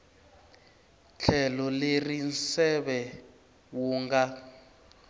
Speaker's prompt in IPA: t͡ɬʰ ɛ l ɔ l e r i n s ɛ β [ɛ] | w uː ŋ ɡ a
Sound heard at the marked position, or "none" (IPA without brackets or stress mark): ɛ